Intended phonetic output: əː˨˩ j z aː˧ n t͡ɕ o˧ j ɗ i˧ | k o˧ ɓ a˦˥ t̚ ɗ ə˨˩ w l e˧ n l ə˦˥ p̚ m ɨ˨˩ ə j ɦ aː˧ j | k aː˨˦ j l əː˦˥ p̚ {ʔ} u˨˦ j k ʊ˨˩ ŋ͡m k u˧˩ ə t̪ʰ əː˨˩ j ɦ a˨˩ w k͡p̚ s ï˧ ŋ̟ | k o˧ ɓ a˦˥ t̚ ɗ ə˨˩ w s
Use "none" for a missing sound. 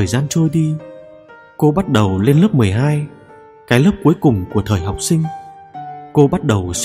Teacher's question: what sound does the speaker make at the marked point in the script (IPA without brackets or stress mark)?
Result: k